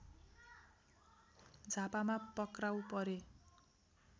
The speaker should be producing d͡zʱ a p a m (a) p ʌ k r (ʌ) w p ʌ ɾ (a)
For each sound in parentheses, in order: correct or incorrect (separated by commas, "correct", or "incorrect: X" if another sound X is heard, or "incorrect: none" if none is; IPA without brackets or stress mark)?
correct, incorrect: a, incorrect: e